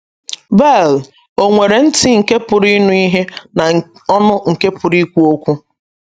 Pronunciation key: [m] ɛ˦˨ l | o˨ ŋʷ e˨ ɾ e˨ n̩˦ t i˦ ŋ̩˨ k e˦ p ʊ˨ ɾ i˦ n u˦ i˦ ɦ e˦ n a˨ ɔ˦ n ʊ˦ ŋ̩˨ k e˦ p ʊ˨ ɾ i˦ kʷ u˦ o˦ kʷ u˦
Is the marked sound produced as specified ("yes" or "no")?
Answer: no